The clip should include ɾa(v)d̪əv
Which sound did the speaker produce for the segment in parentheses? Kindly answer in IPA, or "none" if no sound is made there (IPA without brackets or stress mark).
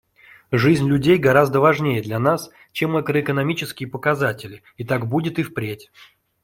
z